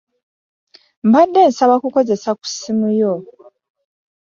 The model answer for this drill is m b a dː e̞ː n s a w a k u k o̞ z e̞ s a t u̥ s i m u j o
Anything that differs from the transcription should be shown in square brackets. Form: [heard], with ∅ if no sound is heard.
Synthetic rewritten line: m b a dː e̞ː n s a [β] a k u k o̞ z e̞ s a [k] u̥ s i m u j o